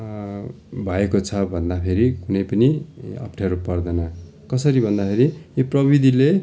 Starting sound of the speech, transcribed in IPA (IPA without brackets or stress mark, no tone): bʱ